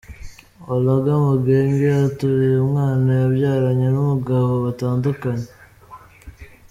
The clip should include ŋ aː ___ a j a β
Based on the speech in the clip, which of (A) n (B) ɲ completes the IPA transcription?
A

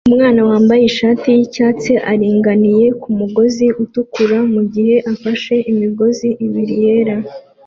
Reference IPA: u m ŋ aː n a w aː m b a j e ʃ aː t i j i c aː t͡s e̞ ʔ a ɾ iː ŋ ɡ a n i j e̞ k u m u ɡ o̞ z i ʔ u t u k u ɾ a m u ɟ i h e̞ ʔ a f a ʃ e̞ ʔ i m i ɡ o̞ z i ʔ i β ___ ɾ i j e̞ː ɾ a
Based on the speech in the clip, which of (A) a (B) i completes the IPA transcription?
B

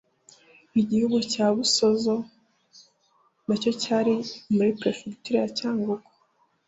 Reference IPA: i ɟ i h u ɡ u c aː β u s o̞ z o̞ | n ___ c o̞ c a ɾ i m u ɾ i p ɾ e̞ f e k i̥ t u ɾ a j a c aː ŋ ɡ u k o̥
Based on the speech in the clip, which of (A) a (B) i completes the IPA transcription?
A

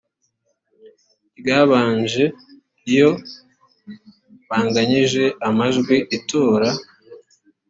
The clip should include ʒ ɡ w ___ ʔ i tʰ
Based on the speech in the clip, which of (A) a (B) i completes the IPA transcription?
B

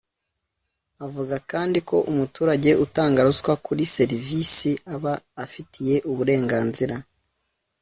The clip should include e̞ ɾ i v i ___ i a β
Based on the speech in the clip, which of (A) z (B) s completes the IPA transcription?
B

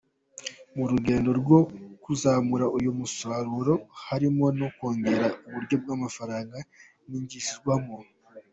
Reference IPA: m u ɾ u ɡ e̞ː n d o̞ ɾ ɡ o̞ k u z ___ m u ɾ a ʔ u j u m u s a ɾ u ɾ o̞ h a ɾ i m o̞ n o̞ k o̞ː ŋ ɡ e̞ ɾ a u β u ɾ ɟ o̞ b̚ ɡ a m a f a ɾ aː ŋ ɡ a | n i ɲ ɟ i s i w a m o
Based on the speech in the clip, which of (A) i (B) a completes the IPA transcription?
B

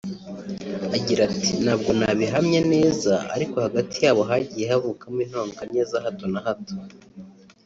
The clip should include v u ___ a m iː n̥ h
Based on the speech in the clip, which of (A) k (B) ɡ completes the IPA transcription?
A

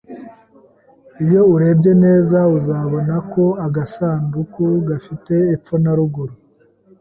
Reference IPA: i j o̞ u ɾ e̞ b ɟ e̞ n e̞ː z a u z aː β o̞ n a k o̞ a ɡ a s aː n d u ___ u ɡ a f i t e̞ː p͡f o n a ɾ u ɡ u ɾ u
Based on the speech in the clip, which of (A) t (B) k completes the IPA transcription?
B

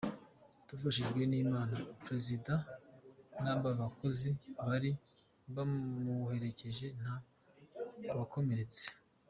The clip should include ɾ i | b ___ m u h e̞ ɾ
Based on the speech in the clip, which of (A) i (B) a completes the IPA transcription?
B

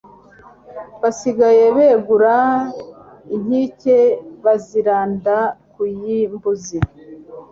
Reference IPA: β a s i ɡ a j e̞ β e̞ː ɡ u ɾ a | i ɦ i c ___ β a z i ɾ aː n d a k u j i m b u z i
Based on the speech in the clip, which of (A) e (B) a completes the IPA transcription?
A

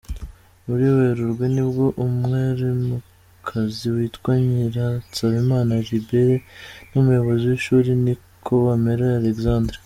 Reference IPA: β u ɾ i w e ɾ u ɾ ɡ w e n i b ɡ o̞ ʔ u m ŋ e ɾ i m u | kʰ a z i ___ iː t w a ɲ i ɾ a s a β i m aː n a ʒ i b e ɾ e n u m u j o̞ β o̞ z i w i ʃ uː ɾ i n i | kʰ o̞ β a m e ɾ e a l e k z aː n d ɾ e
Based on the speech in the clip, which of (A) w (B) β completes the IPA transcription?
A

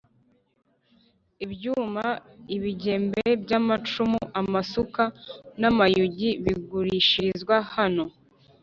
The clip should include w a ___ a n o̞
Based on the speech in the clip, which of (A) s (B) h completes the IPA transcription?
B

